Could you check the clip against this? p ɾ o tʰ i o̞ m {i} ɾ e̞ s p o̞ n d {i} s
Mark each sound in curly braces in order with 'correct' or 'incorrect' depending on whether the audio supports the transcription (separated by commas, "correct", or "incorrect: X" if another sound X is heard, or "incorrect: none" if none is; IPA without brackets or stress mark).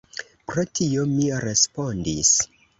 correct, correct